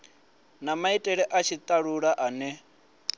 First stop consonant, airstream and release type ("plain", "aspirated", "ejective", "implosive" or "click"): ejective